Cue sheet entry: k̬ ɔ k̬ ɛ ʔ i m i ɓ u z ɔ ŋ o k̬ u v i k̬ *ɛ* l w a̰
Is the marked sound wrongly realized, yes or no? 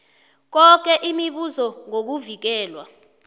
yes